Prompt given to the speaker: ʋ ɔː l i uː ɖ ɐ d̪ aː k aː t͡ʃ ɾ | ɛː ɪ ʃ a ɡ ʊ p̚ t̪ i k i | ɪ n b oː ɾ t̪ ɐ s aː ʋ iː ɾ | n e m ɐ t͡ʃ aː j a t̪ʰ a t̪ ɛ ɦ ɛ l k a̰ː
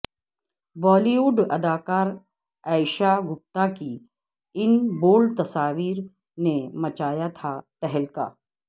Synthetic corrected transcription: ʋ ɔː l i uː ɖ ɐ d̪ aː k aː ɾ | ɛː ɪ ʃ a ɡ ʊ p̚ t̪ a k i | ɪ n b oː l t̪ ɐ s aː ʋ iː ɾ | n e m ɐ t͡ʃ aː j a t̪ʰ a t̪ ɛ ɦ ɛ l k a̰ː